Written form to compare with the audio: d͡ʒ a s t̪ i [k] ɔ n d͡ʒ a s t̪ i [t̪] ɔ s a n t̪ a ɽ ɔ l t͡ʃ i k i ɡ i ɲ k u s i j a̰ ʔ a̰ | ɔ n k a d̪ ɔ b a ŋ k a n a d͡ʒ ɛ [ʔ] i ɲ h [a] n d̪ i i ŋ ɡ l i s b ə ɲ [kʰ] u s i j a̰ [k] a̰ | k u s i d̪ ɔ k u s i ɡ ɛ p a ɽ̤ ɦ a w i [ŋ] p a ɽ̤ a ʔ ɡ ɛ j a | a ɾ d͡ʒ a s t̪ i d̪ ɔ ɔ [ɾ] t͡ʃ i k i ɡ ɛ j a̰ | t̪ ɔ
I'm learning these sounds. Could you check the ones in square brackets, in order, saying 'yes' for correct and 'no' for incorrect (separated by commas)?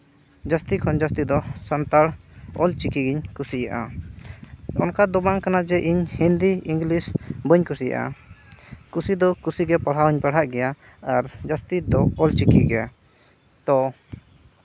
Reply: no, no, yes, no, no, no, no, no